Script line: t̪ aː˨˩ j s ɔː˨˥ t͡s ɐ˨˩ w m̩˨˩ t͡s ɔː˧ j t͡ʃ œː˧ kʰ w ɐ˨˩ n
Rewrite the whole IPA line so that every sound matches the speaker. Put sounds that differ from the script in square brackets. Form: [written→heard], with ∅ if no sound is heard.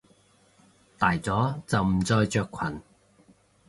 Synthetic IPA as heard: t̪ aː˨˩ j [s→t͡s] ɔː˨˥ t͡s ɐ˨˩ w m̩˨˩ t͡s ɔː˧ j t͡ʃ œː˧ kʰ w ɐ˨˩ n